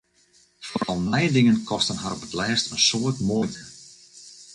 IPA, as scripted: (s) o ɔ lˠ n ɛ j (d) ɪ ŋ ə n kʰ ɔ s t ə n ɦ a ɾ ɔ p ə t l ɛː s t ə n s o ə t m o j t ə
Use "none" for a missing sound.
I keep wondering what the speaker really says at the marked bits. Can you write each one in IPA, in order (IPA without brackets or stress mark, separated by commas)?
f, d